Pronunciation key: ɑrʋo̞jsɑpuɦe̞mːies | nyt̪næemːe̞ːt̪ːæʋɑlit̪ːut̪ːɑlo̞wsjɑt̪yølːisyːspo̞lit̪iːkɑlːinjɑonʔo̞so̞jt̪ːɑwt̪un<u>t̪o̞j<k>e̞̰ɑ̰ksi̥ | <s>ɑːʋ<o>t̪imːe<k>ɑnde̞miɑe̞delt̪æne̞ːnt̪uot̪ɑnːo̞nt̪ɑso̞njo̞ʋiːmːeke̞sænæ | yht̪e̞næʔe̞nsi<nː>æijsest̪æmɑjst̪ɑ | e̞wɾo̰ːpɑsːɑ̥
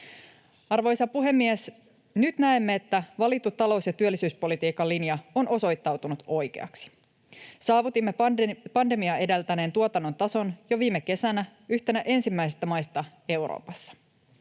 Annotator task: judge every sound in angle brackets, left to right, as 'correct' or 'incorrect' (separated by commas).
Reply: correct, correct, correct, incorrect, incorrect, incorrect